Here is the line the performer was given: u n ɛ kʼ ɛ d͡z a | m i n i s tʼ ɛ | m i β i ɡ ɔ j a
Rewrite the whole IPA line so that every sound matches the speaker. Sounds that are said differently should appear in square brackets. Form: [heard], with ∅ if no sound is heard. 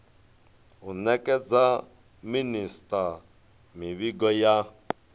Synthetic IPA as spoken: u n ɛ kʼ ɛ d͡z a | m i n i s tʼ [a] | m i β i ɡ ɔ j a